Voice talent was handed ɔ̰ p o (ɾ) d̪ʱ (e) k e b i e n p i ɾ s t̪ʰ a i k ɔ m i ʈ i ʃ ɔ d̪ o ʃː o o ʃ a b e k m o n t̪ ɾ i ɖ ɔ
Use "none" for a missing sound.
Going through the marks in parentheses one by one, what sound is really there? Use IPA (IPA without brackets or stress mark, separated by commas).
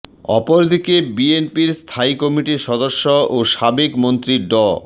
ɾ, i